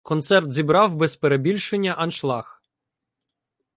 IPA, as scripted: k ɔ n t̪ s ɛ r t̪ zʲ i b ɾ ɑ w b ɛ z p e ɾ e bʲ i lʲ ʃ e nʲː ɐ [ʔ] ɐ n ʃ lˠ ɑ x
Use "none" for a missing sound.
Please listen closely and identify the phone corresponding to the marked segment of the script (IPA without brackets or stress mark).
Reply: ʔ